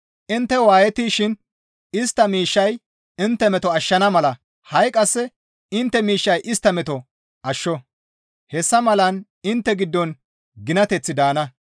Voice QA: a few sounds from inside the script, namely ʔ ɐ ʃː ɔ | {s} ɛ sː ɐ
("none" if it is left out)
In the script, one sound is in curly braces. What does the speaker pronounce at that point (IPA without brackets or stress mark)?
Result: h